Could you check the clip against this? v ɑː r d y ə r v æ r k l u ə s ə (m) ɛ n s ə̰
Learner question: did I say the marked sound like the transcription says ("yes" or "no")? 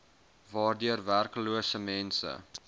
yes